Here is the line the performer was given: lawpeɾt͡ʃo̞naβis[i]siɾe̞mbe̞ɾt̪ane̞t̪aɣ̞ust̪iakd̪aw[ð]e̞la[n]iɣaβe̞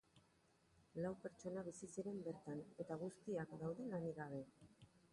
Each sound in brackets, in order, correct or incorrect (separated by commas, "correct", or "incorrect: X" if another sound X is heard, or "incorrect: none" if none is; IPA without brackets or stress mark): correct, correct, correct